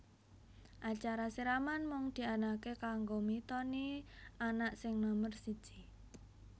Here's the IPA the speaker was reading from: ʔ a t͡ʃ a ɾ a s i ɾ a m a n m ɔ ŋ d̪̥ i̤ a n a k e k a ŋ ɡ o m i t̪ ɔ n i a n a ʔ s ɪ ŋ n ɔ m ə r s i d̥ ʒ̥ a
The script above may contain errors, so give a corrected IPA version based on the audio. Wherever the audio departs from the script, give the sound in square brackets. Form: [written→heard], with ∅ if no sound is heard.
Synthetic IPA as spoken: ʔ a t͡ʃ a ɾ a s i ɾ a m a n m ɔ ŋ d̪̥ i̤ a n a k e k a ŋ ɡ o m i t̪ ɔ n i a n a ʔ s ɪ ŋ n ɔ m ə r s i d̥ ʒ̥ [a→i]